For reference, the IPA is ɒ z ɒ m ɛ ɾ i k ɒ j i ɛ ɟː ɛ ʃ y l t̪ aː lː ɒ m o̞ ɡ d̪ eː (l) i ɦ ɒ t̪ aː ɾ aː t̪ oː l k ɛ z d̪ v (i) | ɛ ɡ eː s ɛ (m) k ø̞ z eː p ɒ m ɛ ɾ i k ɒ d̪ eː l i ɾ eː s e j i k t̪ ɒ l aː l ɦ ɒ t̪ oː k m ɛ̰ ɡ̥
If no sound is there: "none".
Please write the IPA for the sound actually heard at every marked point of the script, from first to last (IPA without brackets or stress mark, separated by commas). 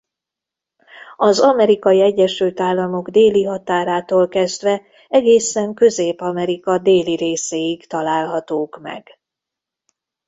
l, ɛ, ŋ